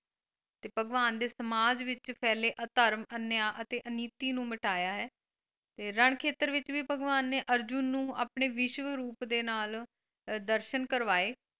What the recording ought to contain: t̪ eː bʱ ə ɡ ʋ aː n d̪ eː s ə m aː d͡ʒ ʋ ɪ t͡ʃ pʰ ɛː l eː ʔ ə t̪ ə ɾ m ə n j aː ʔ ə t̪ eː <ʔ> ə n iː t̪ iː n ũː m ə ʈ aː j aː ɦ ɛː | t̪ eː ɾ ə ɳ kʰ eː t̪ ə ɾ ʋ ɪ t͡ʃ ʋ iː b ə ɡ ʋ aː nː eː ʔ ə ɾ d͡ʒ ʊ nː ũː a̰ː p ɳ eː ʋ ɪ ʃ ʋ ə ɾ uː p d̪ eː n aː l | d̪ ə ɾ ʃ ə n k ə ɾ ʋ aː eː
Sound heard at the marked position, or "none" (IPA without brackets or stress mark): ʔ